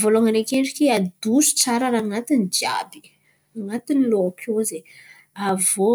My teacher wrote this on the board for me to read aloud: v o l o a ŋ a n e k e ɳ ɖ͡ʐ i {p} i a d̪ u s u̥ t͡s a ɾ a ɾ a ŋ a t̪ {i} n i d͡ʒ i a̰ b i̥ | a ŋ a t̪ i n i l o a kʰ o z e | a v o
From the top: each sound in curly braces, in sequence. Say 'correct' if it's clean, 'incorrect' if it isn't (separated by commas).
incorrect, correct